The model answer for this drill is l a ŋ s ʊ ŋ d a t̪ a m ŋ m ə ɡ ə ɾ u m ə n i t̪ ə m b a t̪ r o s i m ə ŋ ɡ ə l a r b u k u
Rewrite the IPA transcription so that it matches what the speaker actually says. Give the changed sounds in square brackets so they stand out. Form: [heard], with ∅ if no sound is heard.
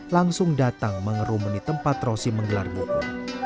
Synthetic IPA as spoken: l a ŋ s ʊ ŋ d a t̪ a [∅] ŋ m ə [ŋ] ə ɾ u m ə n i t̪ ə m [p] a t̪ r o s i m ə ŋ ɡ ə l a r b u k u